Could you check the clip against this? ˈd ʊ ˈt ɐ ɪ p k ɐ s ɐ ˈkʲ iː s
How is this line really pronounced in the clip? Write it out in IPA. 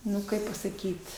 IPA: ˈn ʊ ˈk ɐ ɪ p p ɐ s ɐ ˈkʲ iː t

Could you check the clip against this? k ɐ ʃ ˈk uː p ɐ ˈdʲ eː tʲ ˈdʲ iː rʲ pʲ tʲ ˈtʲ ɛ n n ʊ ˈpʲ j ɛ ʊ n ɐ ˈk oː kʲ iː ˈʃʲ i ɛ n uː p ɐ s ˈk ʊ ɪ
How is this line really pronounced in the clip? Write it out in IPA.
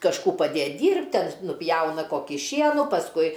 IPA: k ɐ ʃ ˈk uː p ɐ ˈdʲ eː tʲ ˈdʲ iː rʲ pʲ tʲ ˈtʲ ɛ n n ʊ ˈpʲ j ɛ ʊ n ɐ ˈk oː kʲ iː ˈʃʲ i ɛ n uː p ɐ s ˈk ʊ ɪ

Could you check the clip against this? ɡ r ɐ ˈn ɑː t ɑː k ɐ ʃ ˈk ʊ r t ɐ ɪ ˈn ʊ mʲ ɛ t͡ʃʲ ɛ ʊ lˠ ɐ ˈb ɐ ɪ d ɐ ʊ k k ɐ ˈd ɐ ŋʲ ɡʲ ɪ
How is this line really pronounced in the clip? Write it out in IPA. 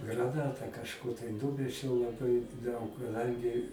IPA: ɡ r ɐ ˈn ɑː t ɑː k ɐ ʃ ˈk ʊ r t ɐ ɪ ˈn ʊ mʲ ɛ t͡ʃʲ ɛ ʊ lˠ ɐ ˈb ɐ ɪ d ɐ ʊ k k ɐ ˈd ɐ ŋʲ ɡʲ ɪ

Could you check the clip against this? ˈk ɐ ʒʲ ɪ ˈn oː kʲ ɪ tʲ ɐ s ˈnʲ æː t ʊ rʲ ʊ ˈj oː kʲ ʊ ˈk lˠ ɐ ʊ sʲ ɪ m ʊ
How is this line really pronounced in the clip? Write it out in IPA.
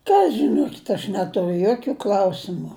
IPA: ˈk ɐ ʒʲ ɪ ˈn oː kʲ ɪ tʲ ɐ ʃ ˈnʲ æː t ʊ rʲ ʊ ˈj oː kʲ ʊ ˈk lˠ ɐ ʊ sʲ ɪ m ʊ

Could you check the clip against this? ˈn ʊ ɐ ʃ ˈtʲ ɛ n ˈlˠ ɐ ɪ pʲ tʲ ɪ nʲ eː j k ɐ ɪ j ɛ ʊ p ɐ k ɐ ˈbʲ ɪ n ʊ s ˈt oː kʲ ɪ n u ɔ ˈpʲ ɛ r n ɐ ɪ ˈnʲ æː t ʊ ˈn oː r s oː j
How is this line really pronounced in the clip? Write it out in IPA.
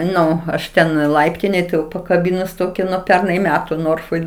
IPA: ˈn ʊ ɐ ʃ ˈtʲ ɛ n ˈlˠ ɐ ɪ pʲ tʲ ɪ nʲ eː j t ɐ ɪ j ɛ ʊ p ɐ k ɐ ˈbʲ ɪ n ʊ s ˈt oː kʲ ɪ n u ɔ ˈpʲ ɛ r n ɐ ɪ ˈmʲ æː t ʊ ˈn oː r f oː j

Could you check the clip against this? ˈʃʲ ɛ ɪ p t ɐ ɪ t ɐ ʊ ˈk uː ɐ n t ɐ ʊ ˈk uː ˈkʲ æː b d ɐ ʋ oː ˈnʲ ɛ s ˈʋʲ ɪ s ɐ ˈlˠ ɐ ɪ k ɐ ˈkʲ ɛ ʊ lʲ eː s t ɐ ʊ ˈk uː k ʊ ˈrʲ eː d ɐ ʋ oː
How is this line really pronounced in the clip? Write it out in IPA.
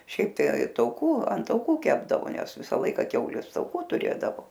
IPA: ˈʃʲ ɛ ɪ p t ɐ ɪ t ɐ ʊ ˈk uː ɐ n t ɐ ʊ ˈk uː ˈkʲ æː b d ɐ ʋ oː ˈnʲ ɛ s ˈʋʲ ɪ s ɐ ˈlˠ ɐ ɪ k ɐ ˈkʲ ɛ ʊ lʲ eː s t ɐ ʊ ˈk uː t ʊ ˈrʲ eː d ɐ ʋ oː

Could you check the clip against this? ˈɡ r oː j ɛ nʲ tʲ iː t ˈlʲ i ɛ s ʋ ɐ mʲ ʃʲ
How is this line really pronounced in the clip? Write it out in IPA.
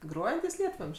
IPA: ˈɡ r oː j ɛ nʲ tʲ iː s ˈlʲ i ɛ t ʋ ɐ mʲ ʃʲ

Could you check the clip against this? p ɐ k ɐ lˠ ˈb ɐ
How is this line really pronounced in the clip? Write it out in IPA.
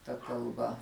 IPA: t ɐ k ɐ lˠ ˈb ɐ

